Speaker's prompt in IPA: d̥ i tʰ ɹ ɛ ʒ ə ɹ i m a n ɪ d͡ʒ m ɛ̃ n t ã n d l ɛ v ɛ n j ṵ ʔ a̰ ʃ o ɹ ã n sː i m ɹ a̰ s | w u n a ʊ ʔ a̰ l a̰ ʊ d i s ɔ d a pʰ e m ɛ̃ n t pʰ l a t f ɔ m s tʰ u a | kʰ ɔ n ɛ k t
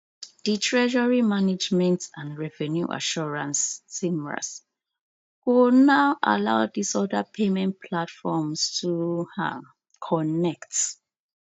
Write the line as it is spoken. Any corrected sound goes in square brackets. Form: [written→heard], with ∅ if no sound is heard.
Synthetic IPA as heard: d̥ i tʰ ɹ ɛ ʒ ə ɹ i m a n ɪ d͡ʒ m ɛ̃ n t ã n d [l→ɹ] ɛ v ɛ n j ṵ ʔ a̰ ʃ [o→ɔ] ɹ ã n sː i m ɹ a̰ s | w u n a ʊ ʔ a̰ l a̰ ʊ d i s ɔ d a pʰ e m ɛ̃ n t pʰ l a t f ɔ m s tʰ u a | kʰ ɔ n ɛ k t